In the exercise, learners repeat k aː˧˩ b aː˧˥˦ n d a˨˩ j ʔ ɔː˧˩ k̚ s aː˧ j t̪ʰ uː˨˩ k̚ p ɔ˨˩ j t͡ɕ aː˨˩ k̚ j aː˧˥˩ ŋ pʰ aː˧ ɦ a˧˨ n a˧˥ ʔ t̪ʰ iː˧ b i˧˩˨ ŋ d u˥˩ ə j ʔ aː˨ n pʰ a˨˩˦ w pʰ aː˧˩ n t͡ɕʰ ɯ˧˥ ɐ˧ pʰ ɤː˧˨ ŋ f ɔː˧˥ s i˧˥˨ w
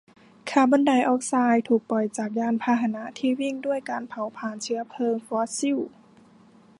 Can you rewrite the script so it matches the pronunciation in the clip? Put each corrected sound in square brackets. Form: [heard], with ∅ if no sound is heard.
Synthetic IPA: [kʰ] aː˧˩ b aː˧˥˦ n d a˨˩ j ʔ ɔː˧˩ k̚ s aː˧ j t̪ʰ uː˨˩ k̚ p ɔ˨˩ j t͡ɕ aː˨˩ k̚ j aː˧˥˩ [n] pʰ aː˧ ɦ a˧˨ n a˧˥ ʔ t̪ʰ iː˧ [w] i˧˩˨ ŋ d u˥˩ ə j [k] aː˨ n pʰ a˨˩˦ w pʰ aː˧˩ n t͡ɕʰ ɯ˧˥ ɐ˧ pʰ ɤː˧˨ ŋ f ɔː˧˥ s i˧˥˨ w